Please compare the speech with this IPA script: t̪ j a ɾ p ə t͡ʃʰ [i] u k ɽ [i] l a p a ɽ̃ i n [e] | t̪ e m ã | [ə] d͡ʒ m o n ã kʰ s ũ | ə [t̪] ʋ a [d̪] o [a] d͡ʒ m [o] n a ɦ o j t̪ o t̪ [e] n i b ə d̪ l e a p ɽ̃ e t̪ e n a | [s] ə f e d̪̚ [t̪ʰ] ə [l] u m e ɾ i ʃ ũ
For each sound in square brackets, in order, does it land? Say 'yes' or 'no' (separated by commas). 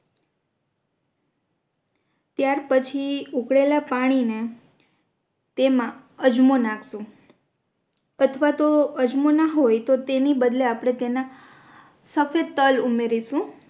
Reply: yes, no, yes, yes, no, no, no, yes, yes, yes, no, yes